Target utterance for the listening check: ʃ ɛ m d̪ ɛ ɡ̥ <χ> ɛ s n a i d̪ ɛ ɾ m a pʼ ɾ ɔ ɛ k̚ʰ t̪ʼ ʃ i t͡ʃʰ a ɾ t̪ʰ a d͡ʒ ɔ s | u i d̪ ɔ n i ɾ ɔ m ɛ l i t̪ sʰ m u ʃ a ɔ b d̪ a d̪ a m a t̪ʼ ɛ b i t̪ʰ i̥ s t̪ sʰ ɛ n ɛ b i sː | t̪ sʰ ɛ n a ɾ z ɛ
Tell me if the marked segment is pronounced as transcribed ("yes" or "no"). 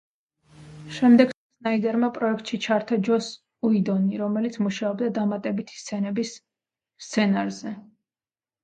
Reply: no